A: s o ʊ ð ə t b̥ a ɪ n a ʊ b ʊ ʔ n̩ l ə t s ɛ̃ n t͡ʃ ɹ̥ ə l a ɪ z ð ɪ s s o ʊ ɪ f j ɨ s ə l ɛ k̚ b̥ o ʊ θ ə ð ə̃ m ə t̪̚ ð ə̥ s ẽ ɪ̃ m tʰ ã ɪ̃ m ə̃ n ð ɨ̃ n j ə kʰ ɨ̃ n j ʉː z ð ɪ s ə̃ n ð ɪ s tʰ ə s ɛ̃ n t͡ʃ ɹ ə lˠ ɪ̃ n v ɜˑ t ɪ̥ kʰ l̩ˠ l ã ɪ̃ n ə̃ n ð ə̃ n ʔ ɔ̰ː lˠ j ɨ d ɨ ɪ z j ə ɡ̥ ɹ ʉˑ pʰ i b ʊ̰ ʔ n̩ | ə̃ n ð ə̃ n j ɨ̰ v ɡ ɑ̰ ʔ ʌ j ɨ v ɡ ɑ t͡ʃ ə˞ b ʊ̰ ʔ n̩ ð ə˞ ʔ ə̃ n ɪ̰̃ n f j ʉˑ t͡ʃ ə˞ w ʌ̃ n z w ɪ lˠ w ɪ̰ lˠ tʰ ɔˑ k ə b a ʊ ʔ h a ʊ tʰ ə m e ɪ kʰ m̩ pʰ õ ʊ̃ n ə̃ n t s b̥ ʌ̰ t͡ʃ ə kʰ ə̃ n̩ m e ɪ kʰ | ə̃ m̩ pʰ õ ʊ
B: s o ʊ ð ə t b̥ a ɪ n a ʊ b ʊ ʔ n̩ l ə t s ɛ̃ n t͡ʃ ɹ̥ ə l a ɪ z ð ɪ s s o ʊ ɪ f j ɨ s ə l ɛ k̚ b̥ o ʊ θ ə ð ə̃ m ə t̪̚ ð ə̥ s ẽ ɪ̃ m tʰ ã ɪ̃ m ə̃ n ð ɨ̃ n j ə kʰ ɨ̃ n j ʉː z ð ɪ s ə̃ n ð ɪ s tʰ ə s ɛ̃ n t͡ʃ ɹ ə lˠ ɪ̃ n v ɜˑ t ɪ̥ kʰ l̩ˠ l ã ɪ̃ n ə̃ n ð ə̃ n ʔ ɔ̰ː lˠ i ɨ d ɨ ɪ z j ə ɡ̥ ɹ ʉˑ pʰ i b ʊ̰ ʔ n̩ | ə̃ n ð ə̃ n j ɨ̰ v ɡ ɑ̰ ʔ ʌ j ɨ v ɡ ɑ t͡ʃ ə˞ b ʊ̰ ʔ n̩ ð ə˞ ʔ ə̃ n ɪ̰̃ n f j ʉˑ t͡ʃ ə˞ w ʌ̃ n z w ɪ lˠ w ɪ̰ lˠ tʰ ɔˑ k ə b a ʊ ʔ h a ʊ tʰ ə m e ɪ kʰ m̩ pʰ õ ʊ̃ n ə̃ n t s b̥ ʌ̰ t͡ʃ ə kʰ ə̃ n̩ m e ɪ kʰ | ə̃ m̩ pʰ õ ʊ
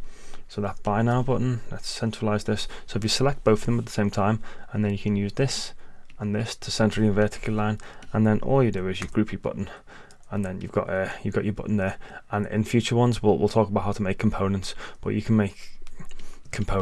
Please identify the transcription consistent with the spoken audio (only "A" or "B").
A